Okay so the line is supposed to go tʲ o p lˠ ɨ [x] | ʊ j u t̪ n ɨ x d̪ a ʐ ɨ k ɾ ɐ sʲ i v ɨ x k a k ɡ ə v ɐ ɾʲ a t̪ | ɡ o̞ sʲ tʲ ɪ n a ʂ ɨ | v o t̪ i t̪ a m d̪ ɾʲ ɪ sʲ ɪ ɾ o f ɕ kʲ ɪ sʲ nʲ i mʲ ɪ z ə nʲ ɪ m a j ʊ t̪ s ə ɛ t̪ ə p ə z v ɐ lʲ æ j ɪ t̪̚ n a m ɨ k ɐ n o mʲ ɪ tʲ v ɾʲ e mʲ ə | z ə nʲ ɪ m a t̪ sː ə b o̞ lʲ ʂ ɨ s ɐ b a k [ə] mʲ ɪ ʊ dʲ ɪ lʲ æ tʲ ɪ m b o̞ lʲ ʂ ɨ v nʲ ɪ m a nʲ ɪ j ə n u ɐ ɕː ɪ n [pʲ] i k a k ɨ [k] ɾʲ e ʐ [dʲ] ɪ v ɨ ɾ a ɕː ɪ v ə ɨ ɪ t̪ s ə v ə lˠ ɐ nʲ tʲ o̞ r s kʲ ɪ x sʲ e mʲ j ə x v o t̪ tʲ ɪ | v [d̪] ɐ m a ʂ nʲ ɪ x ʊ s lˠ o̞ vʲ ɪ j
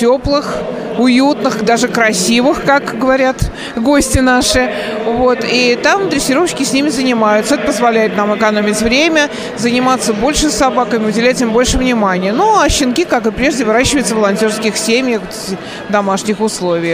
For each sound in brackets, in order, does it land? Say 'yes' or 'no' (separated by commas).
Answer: yes, yes, no, no, yes, yes